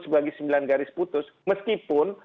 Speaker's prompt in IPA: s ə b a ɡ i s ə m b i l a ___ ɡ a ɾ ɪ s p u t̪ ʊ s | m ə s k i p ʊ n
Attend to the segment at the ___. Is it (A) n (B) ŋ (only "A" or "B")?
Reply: A